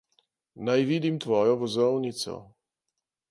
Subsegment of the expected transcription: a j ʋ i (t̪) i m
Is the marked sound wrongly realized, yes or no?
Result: yes